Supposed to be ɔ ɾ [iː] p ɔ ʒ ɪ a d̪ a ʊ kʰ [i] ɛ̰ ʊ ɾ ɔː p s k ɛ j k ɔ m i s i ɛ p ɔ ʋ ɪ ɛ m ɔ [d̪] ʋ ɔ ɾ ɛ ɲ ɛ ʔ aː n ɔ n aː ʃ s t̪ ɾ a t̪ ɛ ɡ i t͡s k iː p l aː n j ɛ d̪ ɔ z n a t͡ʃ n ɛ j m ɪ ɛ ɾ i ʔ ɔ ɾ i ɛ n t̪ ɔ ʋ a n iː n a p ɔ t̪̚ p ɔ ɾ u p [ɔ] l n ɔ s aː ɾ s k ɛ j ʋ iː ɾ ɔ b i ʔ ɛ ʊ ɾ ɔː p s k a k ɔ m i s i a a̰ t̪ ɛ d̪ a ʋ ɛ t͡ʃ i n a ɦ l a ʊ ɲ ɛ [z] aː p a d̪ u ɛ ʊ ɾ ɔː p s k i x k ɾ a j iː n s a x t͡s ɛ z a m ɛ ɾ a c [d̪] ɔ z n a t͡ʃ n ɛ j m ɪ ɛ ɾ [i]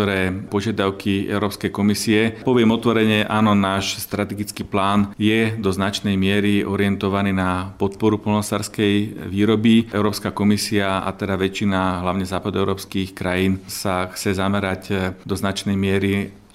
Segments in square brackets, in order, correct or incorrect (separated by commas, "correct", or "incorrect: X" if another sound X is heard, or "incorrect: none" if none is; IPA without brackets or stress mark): incorrect: ɛː, correct, incorrect: t̪, correct, correct, correct, correct